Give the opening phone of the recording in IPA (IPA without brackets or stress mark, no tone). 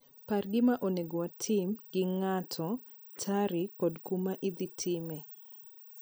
p